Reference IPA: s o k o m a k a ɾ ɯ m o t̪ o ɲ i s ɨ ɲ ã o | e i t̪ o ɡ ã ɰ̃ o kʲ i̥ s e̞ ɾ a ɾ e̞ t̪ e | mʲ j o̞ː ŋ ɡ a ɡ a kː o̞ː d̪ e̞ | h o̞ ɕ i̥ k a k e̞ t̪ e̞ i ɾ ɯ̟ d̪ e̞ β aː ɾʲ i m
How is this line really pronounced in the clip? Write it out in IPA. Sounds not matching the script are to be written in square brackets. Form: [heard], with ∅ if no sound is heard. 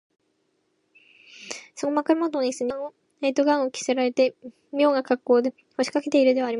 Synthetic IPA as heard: s o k o m a k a ɾ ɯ m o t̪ o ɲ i s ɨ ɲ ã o | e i t̪ o ɡ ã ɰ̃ o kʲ i̥ s e̞ ɾ a ɾ e̞ t̪ e | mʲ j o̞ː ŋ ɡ a [k] a kː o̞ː d̪ e̞ | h o̞ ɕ i̥ k a k e̞ t̪ e̞ i ɾ ɯ̟ d̪ e̞ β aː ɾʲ i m